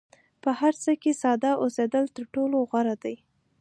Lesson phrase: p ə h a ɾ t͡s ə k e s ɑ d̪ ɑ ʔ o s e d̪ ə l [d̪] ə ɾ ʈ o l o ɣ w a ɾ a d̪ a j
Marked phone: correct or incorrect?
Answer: incorrect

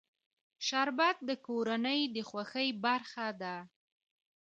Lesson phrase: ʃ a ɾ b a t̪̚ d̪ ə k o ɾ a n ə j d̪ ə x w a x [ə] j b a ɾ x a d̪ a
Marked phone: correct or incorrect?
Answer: correct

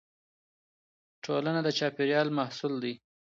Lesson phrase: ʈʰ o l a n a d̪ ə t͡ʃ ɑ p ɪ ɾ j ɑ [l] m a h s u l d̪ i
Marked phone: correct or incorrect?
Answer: correct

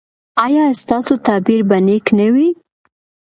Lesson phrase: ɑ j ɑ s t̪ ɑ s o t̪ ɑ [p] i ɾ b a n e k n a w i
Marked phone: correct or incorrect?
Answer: incorrect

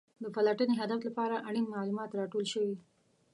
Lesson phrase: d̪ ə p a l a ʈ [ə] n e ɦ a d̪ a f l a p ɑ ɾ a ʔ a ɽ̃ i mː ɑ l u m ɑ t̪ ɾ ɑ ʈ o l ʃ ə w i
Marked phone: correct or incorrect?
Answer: correct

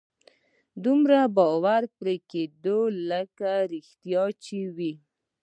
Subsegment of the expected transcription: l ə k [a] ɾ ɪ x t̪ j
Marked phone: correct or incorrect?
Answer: correct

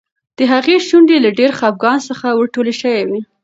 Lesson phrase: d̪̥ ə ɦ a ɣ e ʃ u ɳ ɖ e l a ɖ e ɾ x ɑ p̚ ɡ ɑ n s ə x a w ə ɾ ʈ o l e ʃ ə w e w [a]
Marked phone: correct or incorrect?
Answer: incorrect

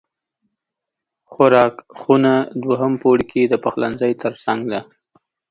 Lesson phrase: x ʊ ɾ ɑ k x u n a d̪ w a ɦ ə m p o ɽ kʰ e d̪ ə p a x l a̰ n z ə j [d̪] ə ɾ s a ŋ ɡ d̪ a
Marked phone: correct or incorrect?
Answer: incorrect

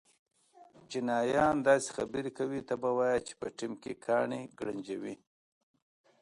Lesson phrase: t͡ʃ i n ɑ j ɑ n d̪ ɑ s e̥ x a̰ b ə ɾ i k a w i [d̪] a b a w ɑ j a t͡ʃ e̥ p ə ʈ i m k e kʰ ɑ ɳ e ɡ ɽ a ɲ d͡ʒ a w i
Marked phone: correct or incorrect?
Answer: incorrect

